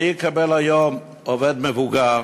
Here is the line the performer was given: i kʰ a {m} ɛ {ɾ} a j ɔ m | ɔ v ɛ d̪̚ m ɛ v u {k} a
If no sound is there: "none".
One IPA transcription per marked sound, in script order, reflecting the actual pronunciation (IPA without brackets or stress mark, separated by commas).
b, l, ɡ